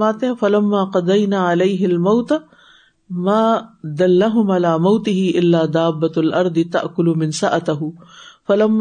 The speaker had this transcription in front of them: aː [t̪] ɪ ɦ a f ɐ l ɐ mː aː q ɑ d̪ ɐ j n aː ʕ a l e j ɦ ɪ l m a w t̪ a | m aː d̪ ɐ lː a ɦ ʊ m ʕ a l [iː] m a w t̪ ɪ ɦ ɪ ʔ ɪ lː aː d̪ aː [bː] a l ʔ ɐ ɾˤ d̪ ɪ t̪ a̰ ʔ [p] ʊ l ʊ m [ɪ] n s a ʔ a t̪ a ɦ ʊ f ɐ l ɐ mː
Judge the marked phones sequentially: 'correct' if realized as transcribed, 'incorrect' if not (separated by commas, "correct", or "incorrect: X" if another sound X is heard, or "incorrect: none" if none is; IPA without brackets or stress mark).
correct, incorrect: aː, correct, incorrect: k, correct